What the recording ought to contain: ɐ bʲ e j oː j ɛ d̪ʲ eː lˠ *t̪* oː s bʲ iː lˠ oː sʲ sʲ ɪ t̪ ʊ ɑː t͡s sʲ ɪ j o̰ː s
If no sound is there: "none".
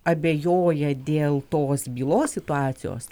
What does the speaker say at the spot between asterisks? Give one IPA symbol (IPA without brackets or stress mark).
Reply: t̪